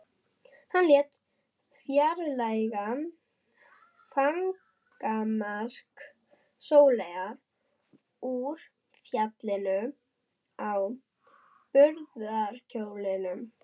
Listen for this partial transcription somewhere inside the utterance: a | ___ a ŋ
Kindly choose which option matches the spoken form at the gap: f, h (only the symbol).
f